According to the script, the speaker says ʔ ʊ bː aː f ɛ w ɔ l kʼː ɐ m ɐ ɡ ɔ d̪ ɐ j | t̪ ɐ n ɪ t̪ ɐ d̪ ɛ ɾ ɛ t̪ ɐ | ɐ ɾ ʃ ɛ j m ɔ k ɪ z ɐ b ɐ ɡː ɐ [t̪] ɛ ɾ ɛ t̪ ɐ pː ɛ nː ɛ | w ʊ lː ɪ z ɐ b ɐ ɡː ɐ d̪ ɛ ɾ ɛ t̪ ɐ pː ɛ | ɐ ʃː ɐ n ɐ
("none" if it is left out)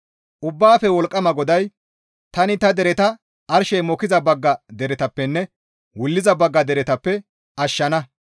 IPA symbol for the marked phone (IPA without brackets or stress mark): d̪